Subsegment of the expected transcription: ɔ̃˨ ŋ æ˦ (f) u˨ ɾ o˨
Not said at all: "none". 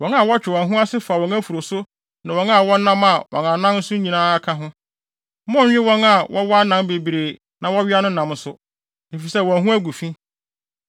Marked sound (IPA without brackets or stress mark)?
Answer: f